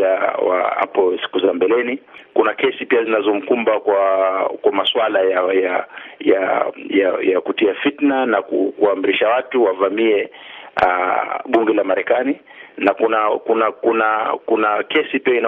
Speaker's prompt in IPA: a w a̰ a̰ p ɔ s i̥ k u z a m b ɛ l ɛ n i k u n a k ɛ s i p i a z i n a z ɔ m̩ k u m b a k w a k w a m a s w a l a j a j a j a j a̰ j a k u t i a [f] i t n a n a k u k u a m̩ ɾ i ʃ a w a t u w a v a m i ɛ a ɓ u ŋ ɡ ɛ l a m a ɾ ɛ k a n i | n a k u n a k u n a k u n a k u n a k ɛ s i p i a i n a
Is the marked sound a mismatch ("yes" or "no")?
no